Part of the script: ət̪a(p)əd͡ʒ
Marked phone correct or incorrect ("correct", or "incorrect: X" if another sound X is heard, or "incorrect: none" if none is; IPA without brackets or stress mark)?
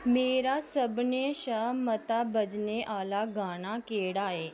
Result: incorrect: b